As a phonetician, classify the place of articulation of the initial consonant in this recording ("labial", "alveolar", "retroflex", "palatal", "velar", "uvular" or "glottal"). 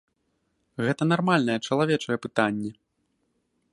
velar